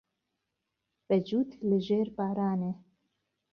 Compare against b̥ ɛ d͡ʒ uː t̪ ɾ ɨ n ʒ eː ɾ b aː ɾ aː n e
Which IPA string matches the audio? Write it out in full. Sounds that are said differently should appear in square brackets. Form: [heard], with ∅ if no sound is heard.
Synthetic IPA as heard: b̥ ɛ d͡ʒ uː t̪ [l] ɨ [∅] ʒ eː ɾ b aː ɾ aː n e